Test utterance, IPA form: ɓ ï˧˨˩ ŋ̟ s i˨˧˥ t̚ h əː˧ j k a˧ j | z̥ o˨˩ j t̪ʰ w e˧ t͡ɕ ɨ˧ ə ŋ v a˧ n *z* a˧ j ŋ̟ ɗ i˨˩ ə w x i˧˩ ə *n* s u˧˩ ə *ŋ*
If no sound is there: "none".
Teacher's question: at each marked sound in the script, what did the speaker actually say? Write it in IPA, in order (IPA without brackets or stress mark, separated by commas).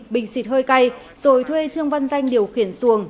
z, n, ŋ